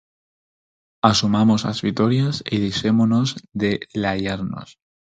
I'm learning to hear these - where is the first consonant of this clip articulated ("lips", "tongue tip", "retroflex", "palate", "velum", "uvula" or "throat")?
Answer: tongue tip